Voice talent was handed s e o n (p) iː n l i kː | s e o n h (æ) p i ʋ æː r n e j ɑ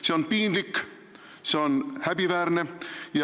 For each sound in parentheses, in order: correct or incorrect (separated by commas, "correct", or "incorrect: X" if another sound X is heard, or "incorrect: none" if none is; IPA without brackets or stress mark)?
correct, correct